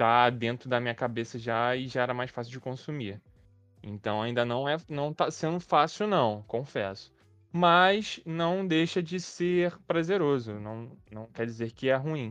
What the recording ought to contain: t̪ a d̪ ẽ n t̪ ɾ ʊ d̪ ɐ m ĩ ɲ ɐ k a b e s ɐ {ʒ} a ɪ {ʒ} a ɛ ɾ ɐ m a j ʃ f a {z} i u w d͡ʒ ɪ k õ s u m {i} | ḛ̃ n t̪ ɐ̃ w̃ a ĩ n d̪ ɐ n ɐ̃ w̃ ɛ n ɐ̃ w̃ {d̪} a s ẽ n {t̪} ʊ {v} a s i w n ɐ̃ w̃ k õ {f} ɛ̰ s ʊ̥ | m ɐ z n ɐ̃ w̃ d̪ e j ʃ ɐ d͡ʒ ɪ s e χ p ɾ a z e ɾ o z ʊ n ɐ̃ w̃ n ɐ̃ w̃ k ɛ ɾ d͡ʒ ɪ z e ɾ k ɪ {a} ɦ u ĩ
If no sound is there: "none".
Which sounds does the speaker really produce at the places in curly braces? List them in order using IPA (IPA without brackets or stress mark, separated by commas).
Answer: ʒ, ʒ, s, i, t̪, d̪, f, f, ɛ